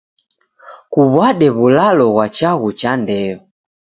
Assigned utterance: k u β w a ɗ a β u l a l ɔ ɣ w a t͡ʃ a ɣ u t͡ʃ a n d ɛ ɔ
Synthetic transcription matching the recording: k u β w a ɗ ɛ β u l a l ɔ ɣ w a t͡ʃ a ɣ u t͡ʃ a n d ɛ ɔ